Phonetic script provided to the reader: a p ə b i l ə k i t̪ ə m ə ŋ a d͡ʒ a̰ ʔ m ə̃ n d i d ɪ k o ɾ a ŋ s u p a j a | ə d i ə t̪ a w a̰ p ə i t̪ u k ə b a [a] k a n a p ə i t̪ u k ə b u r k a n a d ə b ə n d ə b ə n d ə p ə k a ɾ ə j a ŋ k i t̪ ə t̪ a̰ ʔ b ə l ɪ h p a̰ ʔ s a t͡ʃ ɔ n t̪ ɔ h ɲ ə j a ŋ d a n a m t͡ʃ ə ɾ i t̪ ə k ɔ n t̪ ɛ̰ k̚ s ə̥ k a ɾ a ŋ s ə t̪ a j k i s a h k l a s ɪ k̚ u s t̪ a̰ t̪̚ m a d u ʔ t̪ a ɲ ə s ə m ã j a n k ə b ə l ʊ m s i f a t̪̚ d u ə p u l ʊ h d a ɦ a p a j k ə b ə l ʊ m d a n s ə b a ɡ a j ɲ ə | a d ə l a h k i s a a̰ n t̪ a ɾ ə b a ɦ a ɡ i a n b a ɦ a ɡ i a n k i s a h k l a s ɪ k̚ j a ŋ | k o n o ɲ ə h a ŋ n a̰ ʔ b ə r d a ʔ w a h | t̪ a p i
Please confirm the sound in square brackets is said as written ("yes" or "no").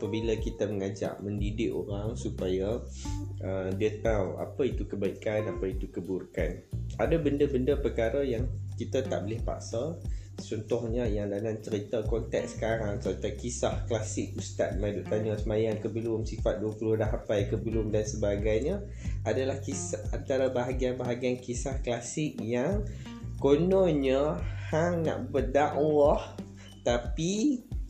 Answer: no